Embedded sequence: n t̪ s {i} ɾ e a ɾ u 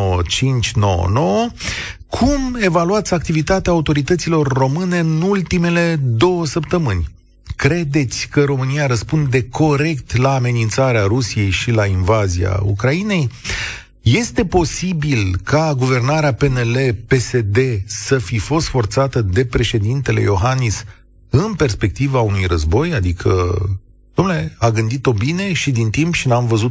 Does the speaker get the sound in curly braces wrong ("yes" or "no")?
yes